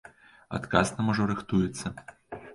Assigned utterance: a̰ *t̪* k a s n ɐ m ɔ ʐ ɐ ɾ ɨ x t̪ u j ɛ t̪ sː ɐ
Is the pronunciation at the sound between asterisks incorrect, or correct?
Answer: correct